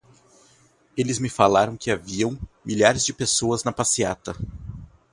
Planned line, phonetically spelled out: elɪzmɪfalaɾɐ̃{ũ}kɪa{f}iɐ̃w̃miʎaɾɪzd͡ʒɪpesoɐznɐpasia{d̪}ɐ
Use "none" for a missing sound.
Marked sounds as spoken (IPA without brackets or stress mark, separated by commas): w̃, v, t̪